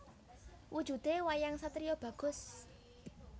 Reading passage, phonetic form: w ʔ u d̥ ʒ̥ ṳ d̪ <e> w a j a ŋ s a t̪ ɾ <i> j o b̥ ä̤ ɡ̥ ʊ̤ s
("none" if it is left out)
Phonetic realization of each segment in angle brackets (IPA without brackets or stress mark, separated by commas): e, i